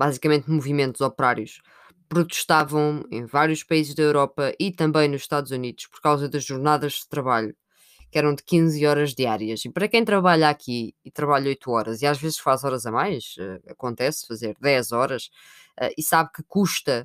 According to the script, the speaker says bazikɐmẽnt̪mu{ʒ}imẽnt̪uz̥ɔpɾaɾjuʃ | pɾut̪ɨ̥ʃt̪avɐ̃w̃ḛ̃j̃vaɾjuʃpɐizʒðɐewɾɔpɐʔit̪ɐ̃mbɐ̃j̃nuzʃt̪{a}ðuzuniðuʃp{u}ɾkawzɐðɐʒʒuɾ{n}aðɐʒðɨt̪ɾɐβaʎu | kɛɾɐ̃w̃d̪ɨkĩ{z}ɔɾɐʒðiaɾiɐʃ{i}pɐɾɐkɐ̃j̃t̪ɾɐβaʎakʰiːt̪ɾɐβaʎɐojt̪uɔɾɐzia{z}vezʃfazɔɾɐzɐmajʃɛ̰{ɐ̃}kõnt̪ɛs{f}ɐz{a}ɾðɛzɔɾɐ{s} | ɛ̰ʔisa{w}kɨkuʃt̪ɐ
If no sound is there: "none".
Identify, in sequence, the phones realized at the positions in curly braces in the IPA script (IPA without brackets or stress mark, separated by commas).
v, a, ɔ, n, z, i, ʒ, ɐ, f, e, ʃ, β